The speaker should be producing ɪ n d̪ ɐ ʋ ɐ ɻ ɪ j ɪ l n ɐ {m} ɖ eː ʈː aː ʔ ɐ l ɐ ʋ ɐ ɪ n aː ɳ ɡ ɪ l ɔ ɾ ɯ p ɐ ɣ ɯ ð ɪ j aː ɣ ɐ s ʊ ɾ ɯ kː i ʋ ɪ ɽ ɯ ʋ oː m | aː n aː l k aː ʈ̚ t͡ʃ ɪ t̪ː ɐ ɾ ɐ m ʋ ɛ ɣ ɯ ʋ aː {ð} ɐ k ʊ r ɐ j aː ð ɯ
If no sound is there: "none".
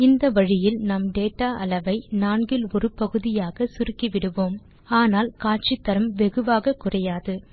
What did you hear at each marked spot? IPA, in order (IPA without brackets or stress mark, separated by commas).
m, ɣ